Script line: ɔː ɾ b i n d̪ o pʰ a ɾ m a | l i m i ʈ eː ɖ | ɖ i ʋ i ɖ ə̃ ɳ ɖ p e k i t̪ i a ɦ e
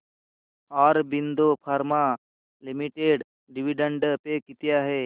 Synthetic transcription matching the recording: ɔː ɾ b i n d̪ o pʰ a ɾ m a | l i m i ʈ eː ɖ | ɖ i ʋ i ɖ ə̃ ɳ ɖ p e k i t̪ j a ɦ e

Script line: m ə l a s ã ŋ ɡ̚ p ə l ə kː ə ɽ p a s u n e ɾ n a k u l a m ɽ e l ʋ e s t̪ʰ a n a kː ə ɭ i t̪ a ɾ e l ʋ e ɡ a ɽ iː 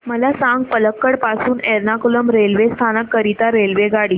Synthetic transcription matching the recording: m ə l a s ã ŋ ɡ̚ p ə l ə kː ə ɽ p a s uː n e ɾ n a k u l ə m ɾ e l ʋ e s t̪ʰ a n ə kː ə ɾ i t̪ a ɾ e l ʋ e ɡ a ɽ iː

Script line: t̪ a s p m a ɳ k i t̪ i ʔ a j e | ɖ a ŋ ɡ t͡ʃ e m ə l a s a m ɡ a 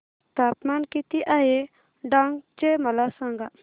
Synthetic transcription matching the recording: t̪ a p m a n k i t̪ i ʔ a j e | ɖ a ŋ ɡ t͡ʃ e m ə l a s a ŋ ɡ a

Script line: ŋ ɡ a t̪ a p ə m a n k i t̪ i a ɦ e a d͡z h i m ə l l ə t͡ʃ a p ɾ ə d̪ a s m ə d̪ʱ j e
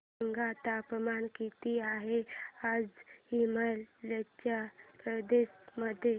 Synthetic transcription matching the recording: ŋ ɡ a t̪ a p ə m a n k i t̪ i a ɦ e a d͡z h i m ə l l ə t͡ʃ a p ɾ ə d̪ e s m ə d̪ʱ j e

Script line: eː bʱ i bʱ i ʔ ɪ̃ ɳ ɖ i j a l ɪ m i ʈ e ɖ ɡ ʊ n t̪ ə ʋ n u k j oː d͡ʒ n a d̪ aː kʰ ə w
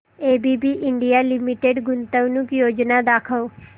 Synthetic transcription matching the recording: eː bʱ i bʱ i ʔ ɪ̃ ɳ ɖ i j a l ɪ m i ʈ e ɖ ɡ ʊ n t̪ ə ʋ n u k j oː d͡ʒ n a d̪ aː kʰ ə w

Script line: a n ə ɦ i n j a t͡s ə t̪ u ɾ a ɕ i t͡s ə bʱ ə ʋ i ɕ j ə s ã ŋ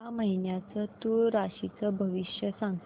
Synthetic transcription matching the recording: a m ə ɦ i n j a t͡s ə t̪ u ɾ a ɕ i t͡s ə bʱ ə ʋ i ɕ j ə s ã ŋ

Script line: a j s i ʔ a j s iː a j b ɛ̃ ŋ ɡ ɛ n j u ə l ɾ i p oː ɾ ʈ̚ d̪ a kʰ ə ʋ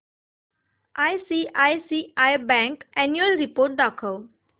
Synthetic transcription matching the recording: a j s i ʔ a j s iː a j b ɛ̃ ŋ k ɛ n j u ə l ɾ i p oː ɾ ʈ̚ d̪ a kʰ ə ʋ

